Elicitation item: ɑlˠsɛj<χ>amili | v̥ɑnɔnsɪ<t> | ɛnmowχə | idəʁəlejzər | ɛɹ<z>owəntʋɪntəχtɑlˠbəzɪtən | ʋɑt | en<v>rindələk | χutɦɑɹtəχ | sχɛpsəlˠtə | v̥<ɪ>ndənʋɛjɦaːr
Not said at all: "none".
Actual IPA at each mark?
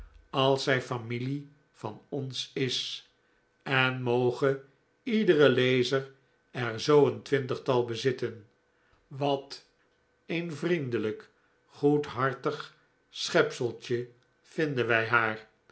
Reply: f, s, z, v, ɪ

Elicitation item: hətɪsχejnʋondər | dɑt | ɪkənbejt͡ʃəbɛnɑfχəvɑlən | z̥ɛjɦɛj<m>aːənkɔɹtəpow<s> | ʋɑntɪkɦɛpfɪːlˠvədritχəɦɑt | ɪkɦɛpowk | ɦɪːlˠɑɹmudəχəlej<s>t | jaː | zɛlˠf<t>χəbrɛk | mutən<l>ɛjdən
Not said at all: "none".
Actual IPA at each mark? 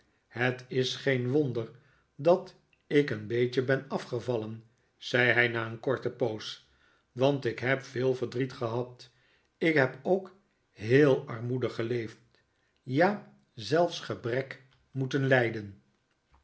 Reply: n, s, f, s, l

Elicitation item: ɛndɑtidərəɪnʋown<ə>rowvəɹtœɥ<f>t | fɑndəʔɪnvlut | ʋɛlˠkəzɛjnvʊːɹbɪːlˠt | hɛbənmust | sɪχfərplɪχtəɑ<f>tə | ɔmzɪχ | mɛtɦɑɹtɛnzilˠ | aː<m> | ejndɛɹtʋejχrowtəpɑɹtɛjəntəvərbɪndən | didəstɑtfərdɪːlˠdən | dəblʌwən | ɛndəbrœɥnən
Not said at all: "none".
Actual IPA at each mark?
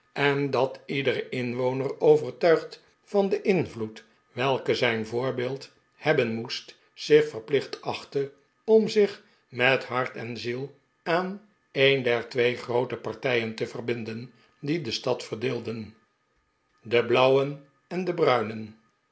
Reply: ə, χ, χ, n

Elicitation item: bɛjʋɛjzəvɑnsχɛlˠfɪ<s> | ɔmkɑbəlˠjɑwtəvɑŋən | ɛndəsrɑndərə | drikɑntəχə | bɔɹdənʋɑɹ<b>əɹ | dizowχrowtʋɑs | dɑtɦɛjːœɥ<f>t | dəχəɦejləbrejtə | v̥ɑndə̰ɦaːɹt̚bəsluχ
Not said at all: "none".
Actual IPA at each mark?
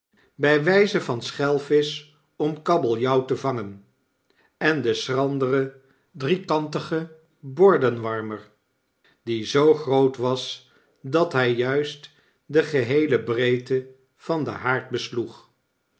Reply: s, m, s

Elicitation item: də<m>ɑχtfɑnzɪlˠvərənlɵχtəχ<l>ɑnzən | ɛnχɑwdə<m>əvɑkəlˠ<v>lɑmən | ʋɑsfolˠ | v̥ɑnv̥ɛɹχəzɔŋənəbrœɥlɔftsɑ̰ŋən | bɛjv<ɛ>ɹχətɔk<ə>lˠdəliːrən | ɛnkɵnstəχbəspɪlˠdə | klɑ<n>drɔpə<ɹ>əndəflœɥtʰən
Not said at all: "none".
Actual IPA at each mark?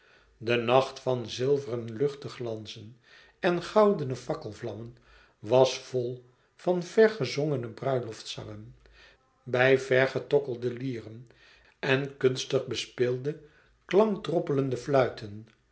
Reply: n, l, n, v, ɛ, ə, ŋ, l

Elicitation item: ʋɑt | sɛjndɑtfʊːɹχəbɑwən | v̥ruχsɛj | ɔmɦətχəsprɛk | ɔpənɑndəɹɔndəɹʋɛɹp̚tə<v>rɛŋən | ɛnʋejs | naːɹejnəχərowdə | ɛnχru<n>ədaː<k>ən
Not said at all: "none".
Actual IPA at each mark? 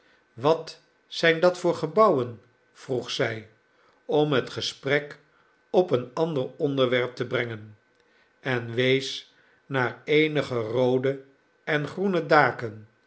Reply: b, n, k

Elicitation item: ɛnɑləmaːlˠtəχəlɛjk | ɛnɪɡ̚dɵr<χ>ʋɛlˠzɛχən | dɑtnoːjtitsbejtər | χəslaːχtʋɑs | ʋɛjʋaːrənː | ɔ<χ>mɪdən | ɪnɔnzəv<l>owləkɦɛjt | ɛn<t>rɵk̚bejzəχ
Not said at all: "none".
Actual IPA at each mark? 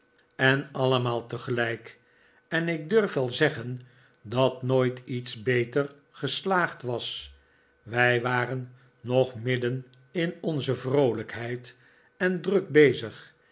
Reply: f, χ, r, d

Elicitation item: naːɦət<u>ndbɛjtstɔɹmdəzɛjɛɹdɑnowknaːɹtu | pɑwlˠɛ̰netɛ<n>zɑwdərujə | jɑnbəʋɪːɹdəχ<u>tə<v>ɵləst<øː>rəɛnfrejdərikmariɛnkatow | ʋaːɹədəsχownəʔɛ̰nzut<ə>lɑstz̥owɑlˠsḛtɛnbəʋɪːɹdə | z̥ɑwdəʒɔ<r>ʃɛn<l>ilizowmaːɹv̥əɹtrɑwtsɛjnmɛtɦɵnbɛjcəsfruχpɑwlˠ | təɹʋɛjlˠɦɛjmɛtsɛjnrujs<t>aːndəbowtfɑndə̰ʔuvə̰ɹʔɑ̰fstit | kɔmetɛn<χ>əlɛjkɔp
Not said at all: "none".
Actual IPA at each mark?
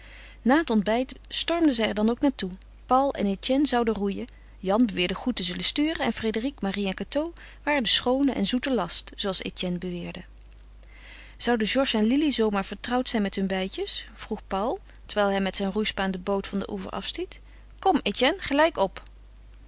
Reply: ɔ, n, u, z, yː, ə, ɹ, l, p, χ

